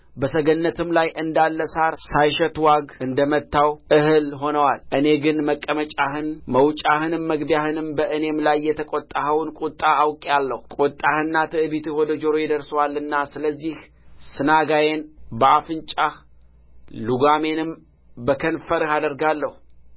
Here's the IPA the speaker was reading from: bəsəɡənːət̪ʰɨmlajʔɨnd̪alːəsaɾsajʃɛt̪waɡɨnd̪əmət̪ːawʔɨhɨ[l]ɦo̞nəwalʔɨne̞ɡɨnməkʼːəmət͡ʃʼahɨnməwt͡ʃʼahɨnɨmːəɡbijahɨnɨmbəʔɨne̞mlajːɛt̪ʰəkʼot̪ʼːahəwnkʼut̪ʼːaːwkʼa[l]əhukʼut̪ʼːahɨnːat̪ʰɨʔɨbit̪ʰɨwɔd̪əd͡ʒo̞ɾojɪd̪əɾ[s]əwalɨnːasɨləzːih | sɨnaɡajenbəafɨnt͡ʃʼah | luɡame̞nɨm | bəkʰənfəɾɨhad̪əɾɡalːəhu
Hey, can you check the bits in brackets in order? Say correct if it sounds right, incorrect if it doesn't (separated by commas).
correct, incorrect, correct